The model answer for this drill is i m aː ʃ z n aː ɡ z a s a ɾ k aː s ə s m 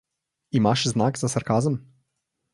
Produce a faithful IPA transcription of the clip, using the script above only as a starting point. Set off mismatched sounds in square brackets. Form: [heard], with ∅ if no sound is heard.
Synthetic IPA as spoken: i m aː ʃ z n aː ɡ z a s a ɾ k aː [z] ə [∅] m